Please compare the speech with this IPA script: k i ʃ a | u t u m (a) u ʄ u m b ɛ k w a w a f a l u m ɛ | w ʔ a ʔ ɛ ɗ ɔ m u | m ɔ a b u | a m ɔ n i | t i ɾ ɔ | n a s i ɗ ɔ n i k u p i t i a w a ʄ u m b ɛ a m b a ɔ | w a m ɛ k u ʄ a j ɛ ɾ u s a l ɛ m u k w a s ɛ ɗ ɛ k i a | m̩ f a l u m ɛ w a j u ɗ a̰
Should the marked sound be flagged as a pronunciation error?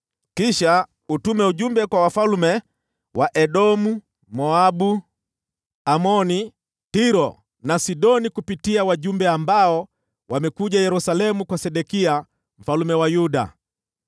yes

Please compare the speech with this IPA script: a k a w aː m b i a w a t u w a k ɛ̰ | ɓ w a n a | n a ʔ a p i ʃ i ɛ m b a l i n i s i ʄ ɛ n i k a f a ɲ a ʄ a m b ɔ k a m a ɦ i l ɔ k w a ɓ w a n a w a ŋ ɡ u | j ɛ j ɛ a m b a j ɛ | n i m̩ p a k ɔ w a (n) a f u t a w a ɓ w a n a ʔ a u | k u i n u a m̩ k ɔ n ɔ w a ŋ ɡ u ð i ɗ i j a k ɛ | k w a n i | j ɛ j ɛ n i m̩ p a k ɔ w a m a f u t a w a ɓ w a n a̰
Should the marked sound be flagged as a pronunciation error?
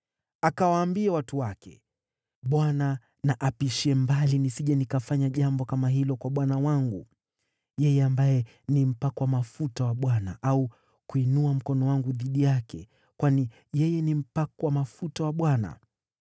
yes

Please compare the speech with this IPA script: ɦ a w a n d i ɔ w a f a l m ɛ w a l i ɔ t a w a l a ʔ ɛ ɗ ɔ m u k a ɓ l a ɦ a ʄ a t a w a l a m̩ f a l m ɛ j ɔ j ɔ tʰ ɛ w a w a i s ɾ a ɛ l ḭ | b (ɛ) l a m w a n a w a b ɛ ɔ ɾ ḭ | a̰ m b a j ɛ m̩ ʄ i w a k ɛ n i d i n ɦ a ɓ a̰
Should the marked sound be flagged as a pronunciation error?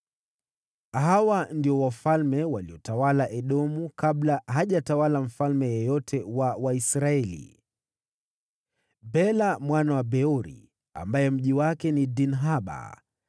no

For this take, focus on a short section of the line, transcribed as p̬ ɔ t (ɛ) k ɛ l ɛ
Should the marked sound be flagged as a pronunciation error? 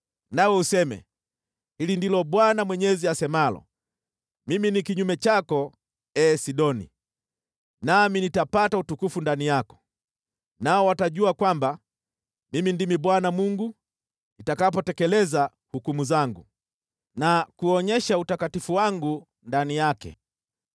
no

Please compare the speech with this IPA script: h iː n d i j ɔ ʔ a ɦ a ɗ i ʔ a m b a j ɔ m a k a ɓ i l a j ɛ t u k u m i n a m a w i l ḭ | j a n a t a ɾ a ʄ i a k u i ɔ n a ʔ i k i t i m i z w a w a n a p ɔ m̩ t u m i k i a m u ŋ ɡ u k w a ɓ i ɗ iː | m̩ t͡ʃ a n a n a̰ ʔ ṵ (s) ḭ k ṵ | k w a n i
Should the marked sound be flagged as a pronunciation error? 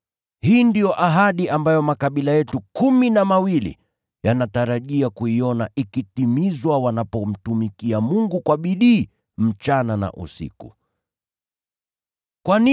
no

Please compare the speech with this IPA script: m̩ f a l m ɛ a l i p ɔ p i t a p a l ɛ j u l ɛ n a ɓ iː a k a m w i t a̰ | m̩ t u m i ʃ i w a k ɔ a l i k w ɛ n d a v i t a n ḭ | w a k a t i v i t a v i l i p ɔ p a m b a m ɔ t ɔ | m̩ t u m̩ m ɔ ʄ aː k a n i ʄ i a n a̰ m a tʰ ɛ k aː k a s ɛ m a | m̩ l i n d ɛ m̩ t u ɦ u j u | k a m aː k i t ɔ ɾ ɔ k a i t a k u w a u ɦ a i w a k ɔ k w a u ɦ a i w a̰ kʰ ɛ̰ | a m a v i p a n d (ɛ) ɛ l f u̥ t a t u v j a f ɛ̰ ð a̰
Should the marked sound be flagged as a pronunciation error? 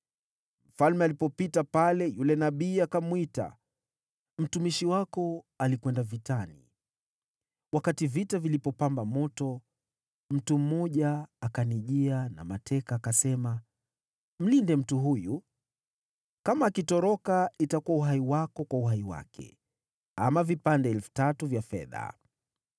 no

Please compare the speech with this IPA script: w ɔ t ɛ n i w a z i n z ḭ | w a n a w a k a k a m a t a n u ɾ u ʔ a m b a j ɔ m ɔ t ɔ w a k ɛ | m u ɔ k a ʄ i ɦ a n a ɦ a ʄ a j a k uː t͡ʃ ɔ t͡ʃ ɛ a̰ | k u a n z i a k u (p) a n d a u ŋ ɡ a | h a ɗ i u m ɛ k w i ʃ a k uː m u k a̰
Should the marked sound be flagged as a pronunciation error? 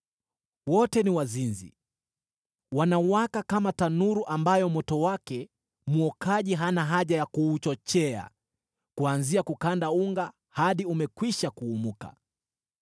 yes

